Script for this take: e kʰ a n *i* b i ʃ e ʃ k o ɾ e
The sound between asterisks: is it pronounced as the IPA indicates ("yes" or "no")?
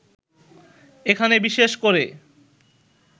no